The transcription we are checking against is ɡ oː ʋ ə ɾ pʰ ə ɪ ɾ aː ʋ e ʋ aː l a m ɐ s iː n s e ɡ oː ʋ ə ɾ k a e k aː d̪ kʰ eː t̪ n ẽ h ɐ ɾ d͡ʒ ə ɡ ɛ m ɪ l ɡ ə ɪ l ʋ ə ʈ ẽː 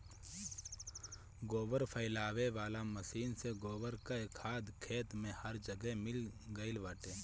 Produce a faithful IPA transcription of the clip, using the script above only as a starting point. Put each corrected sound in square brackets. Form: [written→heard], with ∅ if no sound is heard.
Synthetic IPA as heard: ɡ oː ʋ ə ɾ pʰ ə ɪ [ɾ→l] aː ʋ e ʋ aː l a m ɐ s iː n s e ɡ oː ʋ ə ɾ k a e [k→kʰ] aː d̪ kʰ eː t̪ [n→m] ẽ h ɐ ɾ d͡ʒ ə ɡ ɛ m ɪ l ɡ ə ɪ l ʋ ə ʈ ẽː